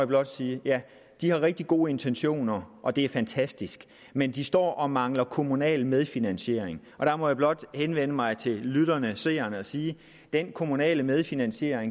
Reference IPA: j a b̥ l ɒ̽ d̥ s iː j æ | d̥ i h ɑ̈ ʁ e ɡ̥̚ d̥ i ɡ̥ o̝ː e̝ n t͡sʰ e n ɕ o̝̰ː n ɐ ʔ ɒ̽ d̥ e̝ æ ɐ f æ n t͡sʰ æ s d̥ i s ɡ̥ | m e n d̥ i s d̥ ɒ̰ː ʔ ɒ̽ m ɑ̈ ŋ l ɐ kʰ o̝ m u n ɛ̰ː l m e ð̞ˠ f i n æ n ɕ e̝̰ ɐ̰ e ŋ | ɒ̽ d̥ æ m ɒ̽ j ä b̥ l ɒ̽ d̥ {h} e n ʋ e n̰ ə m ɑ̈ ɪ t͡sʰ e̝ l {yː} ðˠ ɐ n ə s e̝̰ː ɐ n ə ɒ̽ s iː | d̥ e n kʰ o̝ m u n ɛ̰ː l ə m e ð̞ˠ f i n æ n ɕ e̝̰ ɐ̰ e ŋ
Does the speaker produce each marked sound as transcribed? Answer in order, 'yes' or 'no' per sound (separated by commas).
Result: yes, no